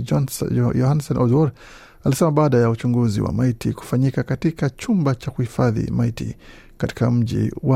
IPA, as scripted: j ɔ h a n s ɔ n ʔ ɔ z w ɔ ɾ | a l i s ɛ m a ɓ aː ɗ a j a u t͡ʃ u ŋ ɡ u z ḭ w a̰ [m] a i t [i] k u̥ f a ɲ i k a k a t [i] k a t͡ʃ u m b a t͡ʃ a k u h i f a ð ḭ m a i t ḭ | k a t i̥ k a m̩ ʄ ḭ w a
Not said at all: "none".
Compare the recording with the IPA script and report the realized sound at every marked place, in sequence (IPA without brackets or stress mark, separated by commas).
m, i, i